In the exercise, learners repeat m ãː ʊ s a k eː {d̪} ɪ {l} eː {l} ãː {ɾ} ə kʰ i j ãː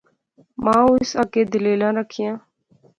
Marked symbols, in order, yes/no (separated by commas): yes, yes, yes, yes